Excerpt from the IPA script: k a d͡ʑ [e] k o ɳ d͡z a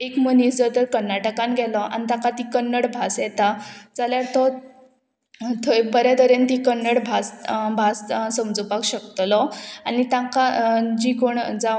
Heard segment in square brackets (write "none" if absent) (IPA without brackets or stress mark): i